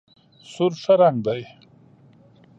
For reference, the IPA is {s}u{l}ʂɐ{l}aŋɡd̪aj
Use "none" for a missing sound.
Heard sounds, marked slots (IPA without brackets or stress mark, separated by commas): s, ɾ, ɾ